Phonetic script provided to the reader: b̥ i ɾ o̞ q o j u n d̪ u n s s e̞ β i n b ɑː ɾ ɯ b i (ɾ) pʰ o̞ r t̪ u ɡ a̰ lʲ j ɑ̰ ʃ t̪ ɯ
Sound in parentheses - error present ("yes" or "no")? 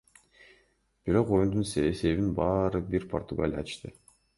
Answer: no